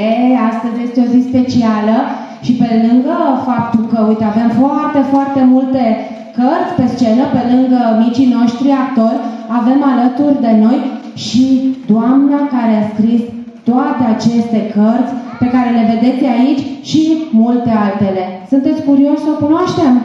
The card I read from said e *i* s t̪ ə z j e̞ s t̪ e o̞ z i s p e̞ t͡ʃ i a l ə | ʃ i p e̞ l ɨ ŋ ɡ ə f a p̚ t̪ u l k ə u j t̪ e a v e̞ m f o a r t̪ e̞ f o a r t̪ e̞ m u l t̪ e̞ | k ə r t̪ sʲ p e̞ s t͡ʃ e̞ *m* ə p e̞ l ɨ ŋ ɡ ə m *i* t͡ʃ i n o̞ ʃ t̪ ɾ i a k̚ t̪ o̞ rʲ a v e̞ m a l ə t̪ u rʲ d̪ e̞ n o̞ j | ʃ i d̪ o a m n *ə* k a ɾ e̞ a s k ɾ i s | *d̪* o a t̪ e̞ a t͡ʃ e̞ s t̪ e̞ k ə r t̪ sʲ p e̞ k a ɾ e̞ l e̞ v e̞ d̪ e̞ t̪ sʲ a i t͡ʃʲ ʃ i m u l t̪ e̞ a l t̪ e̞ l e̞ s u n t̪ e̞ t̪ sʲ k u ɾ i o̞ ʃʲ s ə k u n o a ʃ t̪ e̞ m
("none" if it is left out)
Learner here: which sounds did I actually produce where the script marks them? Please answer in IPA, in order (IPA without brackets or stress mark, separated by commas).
a, n, i, a, t̪